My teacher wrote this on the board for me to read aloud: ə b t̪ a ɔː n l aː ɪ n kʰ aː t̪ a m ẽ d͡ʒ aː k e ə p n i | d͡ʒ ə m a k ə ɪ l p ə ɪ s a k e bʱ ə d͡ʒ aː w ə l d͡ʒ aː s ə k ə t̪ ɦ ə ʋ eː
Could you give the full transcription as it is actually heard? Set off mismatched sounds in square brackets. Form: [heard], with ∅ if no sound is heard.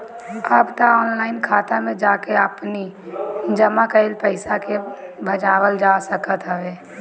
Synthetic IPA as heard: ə b t̪ a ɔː n l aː ɪ n kʰ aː t̪ a m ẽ d͡ʒ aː k e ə p n i | d͡ʒ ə m a k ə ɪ l p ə ɪ s a k e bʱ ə d͡ʒ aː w ə l d͡ʒ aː s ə k ə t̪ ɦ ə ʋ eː